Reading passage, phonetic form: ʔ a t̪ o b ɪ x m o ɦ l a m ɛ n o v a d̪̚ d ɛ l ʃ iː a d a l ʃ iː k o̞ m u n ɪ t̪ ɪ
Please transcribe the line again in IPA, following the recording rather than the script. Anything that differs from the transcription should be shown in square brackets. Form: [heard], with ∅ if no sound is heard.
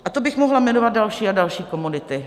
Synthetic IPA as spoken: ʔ a t̪ o b ɪ x m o ɦ l a m ɛ n o v a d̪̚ d [a] l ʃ iː a d a l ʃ iː k o̞ m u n ɪ t̪ ɪ